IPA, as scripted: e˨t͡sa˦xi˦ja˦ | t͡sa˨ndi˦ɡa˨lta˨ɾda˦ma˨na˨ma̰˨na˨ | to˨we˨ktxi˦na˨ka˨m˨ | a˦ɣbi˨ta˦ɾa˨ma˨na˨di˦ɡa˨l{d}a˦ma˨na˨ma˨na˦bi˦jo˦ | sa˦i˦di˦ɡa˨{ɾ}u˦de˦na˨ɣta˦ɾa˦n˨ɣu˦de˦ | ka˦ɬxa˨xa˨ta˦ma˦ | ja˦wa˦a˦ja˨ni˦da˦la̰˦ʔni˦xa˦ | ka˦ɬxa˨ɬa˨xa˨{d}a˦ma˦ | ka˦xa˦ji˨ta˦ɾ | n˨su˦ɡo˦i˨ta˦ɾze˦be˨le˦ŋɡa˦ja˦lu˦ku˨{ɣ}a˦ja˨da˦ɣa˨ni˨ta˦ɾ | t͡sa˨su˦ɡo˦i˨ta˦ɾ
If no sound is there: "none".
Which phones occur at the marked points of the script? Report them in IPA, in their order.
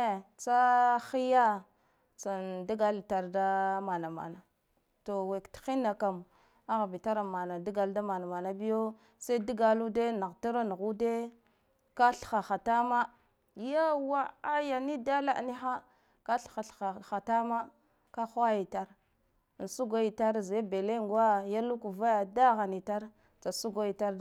d, l, t, v

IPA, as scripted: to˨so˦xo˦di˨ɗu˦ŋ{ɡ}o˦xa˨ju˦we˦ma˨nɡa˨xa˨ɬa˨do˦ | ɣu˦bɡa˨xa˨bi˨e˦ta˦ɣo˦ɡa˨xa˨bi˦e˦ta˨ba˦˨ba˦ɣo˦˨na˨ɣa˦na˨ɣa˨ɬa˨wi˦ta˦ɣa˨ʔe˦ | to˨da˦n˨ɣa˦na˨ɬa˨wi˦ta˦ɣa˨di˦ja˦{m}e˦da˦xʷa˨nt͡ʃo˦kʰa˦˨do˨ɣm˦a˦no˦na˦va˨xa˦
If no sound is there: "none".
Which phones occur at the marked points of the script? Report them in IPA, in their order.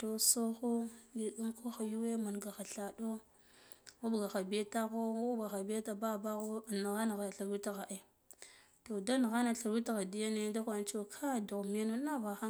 k, n

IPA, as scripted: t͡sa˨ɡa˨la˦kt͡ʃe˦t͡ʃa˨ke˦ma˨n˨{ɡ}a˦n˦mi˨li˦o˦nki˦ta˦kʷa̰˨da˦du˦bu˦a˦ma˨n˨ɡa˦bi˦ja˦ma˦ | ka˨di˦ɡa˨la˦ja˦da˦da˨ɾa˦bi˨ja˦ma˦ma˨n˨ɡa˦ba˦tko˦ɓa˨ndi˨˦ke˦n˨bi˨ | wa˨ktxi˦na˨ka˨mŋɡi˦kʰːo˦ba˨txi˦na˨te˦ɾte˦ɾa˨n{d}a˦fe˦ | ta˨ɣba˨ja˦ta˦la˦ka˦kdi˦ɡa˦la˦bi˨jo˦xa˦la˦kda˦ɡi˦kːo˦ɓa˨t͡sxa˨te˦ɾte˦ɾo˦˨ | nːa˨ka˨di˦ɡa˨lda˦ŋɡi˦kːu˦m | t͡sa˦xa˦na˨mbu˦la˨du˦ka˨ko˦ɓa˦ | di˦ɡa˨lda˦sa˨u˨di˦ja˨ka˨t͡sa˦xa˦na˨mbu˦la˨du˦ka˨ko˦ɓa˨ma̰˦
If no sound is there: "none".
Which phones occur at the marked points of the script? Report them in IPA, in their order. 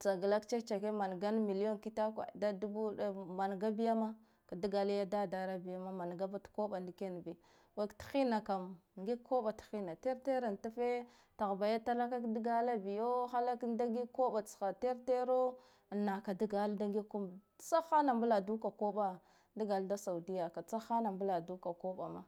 ɡ, t

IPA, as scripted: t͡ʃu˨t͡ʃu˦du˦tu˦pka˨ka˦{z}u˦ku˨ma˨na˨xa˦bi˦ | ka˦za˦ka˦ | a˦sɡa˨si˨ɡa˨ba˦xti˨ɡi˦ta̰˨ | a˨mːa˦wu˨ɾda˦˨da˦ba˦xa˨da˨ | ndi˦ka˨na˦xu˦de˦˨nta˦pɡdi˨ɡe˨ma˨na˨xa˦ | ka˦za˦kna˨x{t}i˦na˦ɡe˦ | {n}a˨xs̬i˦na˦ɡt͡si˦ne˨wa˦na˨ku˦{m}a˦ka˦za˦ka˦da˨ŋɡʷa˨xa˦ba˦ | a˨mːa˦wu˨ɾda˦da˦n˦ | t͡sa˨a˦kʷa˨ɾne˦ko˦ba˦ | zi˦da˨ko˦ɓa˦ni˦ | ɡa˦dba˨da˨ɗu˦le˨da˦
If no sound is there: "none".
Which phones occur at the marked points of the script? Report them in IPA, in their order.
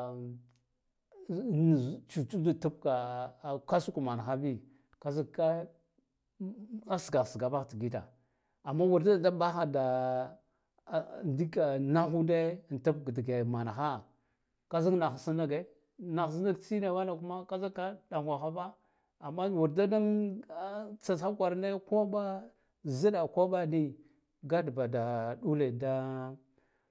s, s, n, m

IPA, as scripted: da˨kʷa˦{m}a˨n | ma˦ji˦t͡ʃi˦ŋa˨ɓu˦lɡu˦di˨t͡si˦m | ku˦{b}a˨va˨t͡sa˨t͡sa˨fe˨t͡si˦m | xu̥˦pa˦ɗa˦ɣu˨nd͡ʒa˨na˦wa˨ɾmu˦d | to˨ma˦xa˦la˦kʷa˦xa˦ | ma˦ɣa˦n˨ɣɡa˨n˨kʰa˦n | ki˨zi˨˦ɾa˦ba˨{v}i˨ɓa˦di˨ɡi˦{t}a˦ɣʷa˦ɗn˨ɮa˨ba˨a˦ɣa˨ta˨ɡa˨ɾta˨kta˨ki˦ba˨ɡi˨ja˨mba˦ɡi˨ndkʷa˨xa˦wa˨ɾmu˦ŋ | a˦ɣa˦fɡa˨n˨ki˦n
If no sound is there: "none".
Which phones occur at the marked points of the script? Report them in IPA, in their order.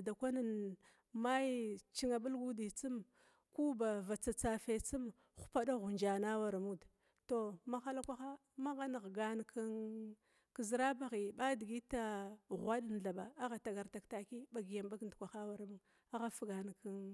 n, b, ɣ, t

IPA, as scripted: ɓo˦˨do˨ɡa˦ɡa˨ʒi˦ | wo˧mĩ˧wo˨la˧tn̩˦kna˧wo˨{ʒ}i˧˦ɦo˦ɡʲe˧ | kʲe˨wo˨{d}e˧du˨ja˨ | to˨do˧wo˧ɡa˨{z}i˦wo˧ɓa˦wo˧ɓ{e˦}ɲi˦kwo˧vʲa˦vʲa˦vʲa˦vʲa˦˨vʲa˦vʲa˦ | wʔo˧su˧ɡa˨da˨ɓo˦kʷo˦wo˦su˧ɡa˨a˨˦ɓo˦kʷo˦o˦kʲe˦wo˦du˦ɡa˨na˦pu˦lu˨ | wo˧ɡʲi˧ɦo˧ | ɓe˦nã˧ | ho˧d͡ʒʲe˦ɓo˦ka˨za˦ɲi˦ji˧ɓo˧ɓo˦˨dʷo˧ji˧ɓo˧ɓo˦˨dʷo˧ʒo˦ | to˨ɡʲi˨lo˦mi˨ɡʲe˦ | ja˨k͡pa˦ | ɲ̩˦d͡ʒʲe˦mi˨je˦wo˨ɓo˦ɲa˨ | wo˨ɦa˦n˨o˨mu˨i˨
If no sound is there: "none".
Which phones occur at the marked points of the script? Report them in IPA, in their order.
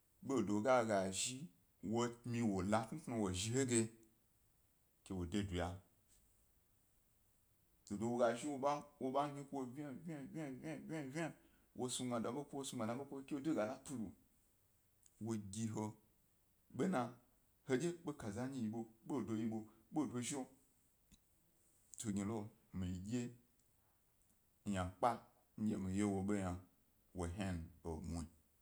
ʒ, d, ʒ, a˦

